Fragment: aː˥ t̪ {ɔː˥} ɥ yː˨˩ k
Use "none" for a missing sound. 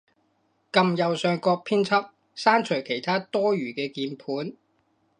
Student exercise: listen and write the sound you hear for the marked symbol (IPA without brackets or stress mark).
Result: ɔː˥